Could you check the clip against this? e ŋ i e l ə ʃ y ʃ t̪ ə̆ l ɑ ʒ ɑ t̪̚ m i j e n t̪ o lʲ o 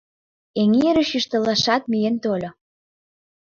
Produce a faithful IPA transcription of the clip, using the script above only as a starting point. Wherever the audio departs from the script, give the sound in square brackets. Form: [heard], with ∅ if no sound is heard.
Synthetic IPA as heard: e ŋ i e [ɾ] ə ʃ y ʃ t̪ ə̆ l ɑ [ʃ] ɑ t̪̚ m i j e n t̪ o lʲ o